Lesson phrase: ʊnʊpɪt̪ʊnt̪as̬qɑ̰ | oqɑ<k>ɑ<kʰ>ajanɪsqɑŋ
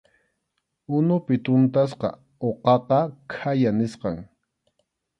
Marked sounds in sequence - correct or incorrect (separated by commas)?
incorrect, correct